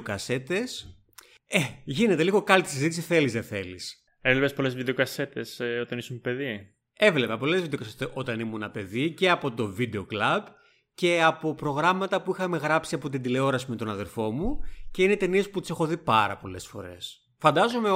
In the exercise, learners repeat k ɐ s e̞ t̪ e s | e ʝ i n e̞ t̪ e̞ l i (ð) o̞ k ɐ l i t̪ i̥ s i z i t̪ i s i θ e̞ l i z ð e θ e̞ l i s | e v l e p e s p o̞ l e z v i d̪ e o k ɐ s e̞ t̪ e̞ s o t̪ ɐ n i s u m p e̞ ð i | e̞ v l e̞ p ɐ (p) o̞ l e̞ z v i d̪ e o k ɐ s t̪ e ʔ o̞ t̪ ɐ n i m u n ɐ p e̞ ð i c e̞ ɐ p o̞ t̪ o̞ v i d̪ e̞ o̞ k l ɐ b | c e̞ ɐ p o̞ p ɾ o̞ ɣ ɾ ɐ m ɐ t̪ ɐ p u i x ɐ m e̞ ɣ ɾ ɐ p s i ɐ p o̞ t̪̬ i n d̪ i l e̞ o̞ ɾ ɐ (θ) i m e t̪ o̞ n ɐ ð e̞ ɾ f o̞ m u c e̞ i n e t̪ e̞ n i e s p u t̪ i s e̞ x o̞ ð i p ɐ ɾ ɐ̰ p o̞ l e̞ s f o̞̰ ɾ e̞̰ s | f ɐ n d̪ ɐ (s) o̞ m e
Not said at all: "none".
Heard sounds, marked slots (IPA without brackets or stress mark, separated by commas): ɣ, p, s, z